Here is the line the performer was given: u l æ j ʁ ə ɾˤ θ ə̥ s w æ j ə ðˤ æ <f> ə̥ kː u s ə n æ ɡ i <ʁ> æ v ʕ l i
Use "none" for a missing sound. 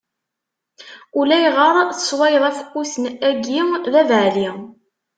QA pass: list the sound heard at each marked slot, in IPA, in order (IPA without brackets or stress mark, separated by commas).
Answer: f, ð